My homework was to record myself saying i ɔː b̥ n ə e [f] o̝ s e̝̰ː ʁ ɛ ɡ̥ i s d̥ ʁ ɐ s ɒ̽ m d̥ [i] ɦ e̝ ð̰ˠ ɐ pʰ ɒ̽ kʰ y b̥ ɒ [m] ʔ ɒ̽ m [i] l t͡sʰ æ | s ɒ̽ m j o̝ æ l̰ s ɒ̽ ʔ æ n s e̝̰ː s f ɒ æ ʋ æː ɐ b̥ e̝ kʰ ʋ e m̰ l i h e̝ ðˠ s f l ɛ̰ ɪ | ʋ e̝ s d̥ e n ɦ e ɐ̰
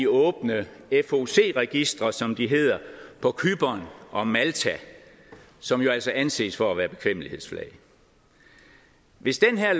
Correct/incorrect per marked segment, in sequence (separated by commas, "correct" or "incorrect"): correct, correct, incorrect, incorrect